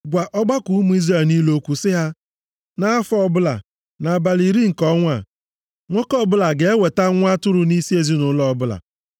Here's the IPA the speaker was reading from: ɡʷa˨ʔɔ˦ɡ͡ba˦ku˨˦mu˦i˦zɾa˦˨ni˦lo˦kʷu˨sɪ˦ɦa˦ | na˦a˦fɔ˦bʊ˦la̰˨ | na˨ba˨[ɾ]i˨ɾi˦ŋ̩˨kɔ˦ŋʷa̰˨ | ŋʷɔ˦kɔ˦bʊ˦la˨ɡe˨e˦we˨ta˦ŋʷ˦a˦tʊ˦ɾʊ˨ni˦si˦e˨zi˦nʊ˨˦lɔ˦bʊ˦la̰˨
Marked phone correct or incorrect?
incorrect